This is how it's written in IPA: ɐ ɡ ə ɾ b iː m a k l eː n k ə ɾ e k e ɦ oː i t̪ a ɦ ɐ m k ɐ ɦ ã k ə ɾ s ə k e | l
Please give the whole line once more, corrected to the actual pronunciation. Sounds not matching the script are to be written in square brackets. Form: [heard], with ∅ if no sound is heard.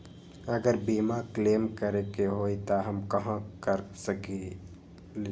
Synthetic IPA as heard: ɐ ɡ ə ɾ b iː m a k l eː [m] k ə ɾ e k e ɦ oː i t̪ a ɦ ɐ m k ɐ ɦ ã k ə ɾ s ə k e | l